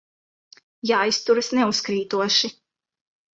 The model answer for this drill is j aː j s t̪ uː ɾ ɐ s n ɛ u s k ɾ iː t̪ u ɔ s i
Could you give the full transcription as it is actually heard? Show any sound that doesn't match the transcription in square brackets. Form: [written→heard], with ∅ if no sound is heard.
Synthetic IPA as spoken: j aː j s t̪ [uː→u] ɾ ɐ s n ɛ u s k ɾ iː t̪ u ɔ [s→ʃ] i